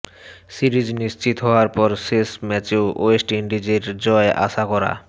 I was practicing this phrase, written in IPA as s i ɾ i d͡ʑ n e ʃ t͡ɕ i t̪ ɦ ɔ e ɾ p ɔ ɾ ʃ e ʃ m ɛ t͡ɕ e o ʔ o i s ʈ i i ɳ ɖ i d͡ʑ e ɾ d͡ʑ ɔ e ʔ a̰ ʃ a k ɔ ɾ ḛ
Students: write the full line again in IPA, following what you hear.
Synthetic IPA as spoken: s i ɾ i d͡ʑ n i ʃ t͡ɕ i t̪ ɦ ɔ a ɾ p ɔ ɾ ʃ e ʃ m ɛ t͡ɕ e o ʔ o e s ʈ i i ɳ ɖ i d͡ʑ e ɾ d͡ʑ ɔ e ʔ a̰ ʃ a k ɔ ɾ a̰